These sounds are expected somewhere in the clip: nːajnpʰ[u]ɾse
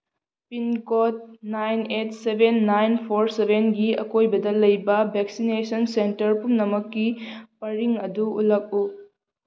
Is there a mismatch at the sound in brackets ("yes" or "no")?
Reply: yes